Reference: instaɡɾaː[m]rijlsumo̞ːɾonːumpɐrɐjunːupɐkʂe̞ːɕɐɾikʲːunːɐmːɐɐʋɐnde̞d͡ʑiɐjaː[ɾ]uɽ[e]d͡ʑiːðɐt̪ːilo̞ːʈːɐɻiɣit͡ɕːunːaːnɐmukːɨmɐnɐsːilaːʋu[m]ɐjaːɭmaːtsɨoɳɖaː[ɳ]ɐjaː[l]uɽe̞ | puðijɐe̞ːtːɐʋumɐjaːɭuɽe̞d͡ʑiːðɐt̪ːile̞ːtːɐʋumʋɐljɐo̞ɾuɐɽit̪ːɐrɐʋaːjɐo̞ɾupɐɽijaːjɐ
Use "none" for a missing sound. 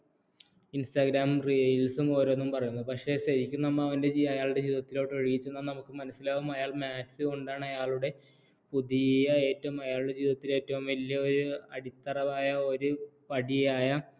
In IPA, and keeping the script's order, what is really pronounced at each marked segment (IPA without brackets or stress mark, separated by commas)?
m, ɭ, e, m, ɳ, ɭ